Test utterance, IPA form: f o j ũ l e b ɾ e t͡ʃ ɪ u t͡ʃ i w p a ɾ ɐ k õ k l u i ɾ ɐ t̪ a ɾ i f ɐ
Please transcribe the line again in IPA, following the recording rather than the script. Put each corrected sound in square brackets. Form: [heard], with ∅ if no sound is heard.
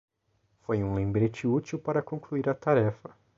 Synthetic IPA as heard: f o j ũ l [ẽ] b ɾ e t͡ʃ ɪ u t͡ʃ i w p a ɾ ɐ k õ k l u i ɾ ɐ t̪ a ɾ [ɛ] f ɐ